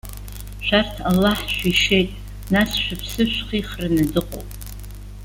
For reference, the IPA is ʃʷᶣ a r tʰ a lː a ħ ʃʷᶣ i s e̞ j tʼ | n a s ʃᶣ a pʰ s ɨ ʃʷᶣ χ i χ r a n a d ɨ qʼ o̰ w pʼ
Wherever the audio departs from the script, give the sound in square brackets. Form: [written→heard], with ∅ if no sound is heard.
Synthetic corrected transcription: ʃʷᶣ a r tʰ a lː a ħ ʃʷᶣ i [s→ʂ] e̞ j tʼ | n a s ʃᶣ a pʰ s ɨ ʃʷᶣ χ i χ r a n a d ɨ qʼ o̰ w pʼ

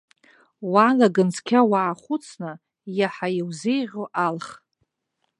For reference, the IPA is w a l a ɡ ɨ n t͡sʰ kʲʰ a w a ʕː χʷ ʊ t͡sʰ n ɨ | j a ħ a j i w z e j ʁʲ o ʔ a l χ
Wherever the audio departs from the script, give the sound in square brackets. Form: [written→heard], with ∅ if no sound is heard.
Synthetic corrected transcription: w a l a ɡ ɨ n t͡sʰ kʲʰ a w a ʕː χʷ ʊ t͡sʰ n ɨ | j a ħ a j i w z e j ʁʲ o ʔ a l χ

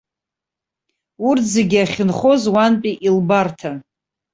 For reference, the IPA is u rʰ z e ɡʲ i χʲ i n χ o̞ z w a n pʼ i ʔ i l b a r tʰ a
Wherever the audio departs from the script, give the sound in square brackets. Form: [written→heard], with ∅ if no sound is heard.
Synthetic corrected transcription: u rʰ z e ɡʲ [i→a] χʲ [i→ɪ] n χ o̞ z w a n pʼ i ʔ i l b a r tʰ a

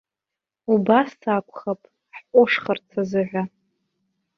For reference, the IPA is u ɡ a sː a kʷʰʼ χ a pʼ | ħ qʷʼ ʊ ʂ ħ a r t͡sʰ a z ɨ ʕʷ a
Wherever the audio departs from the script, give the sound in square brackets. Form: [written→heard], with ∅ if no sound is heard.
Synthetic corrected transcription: u [ɡ→b] a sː a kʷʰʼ χ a pʼ | ħ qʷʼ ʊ ʂ [ħ→χ] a r t͡sʰ a z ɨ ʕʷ a

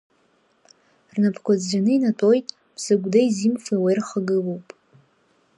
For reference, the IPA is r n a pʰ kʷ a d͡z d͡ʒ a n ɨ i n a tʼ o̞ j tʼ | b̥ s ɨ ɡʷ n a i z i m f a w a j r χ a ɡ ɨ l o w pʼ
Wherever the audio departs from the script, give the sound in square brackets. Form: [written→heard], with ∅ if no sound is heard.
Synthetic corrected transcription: r n a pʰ kʷ a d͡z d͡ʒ a n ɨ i n a tʼ o̞ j tʼ | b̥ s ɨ ɡʷ [n→d] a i z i m f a w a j r χ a ɡ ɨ l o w pʼ

